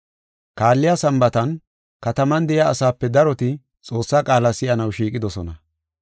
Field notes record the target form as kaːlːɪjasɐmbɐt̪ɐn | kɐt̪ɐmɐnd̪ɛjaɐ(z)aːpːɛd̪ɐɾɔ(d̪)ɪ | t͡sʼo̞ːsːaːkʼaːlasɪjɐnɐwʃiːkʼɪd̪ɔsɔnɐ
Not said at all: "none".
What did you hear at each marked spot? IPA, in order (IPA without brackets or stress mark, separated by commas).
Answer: s, t̪